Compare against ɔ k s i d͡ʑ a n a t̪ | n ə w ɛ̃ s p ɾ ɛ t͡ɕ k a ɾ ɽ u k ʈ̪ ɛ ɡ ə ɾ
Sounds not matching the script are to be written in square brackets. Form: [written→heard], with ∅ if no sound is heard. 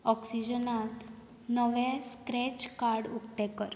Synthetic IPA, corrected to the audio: ɔ k s i d͡ʑ [a→ə] n a t̪ | n ə [w→ʋ] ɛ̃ s [p→k] ɾ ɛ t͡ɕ k a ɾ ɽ u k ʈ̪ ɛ [ɡ→k] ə ɾ